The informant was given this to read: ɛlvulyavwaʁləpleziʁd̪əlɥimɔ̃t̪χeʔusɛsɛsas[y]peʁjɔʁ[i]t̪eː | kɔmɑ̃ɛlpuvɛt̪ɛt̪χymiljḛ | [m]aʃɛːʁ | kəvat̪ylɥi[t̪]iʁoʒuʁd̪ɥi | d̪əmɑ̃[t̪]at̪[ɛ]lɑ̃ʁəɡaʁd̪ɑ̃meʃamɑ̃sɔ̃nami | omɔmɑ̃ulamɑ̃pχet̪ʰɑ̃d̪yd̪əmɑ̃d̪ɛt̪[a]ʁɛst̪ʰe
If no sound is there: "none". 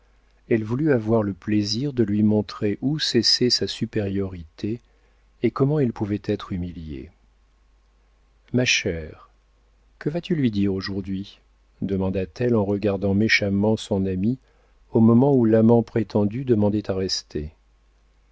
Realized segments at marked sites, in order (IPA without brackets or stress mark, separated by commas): y, i, m, d̪, d̪, ɛ, a